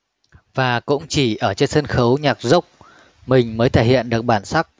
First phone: v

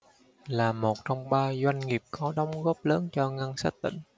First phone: l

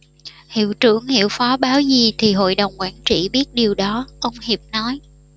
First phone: h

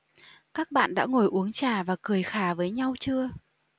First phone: k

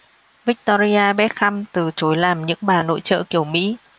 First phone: v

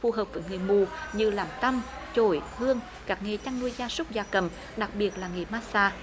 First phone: f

